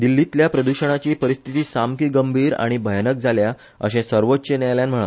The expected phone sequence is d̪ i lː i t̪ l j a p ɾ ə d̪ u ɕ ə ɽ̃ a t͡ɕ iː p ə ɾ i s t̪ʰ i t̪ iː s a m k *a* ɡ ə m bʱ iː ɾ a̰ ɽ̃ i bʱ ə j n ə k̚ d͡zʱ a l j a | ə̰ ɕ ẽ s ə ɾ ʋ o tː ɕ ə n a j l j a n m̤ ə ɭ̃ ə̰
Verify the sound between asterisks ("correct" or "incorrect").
incorrect